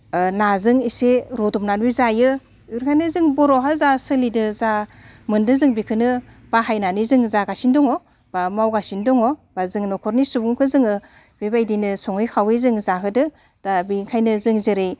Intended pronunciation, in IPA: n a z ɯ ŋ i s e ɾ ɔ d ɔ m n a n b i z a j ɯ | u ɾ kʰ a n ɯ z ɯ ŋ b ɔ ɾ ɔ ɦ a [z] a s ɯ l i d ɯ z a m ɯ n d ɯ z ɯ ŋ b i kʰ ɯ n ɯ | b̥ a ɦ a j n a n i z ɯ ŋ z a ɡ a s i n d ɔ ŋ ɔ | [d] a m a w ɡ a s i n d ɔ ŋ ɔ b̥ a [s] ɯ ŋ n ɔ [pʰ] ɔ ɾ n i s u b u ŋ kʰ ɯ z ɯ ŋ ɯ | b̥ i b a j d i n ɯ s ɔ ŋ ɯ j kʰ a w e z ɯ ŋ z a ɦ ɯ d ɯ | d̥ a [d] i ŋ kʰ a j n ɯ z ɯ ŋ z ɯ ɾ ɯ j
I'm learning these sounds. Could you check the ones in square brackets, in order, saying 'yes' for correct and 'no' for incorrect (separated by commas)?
yes, no, no, no, no